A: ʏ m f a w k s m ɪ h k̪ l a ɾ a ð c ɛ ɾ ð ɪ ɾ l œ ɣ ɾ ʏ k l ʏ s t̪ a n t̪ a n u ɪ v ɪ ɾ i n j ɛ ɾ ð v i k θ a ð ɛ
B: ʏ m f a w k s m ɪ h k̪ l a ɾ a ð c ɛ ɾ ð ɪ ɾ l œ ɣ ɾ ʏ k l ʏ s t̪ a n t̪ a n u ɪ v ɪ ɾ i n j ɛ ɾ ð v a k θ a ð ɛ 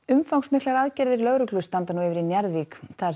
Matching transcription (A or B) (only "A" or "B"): A